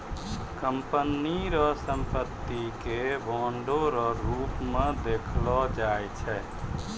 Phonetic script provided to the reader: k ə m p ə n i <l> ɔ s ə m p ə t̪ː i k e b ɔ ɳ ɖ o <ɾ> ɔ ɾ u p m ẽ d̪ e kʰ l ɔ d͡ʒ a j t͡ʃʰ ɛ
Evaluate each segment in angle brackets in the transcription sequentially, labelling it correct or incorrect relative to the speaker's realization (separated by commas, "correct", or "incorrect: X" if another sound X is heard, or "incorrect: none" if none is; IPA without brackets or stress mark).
incorrect: ɾ, correct